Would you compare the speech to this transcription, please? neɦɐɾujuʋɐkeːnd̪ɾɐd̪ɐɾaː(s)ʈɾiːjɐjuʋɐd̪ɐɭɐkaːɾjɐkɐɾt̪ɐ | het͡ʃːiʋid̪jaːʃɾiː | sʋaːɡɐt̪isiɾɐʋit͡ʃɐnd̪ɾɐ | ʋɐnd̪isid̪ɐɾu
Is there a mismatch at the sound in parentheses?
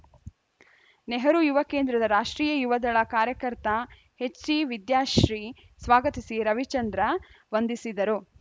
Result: yes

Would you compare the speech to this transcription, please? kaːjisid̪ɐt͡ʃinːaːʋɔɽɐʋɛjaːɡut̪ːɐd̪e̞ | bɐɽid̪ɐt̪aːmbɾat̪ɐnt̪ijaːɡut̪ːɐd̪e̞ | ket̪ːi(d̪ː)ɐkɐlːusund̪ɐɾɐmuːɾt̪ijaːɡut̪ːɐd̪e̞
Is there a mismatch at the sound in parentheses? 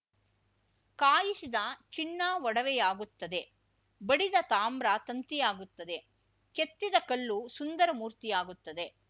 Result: yes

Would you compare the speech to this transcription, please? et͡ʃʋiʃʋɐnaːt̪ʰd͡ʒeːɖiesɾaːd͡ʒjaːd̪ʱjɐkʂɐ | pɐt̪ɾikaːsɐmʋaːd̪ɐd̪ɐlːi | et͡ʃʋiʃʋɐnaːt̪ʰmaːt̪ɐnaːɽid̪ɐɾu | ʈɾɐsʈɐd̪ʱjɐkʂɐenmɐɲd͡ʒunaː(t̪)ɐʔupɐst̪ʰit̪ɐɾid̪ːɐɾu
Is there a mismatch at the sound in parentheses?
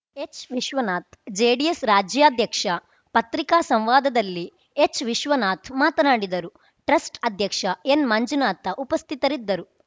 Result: no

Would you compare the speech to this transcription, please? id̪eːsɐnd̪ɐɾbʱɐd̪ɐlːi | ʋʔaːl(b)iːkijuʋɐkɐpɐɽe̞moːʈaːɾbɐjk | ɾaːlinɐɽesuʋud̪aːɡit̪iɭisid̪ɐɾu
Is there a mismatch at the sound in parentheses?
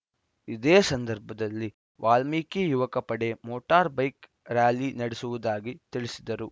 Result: yes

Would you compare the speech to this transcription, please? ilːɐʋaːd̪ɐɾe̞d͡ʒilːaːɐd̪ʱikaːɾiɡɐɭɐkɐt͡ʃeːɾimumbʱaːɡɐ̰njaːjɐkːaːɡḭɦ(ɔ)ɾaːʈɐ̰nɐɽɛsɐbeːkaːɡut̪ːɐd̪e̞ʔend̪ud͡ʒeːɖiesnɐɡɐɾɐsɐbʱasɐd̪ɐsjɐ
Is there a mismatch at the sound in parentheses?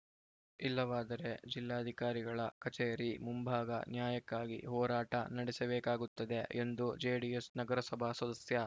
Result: yes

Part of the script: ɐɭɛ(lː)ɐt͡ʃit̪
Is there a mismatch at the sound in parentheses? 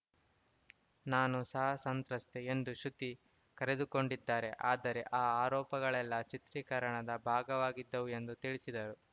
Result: no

